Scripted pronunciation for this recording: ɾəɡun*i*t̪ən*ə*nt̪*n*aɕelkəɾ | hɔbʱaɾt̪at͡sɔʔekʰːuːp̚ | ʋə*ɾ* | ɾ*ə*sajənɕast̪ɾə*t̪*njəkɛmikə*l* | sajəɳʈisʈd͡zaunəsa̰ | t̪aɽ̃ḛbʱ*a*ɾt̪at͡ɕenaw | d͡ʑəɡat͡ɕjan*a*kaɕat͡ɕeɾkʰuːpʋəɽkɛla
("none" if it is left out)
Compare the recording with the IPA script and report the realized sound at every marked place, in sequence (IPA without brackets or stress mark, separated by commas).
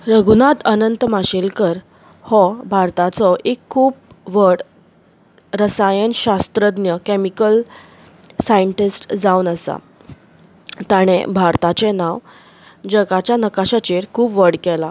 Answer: a, ə, m, ɽ, ə, d̪, l, a, ə